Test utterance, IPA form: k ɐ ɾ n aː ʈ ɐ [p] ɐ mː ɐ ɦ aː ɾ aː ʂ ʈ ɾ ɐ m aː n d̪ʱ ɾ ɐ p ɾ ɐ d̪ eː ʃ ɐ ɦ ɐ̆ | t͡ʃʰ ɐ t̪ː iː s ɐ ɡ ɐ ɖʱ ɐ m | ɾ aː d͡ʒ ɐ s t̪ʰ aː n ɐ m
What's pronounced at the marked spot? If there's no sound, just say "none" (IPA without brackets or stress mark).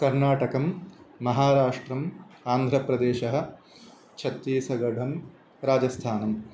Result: k